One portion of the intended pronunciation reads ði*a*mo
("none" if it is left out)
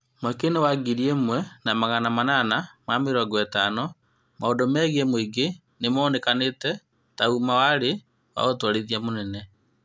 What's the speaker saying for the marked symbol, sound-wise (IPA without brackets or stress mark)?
a